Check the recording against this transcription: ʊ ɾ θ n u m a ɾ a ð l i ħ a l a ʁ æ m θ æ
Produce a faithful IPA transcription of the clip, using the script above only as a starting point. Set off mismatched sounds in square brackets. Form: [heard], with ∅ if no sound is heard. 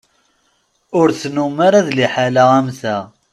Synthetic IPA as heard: ʊ ɾ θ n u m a ɾ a ð l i ħ a l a ʁ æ m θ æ